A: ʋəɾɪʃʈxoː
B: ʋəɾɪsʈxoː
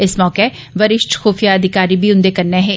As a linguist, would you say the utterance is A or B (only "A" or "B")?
A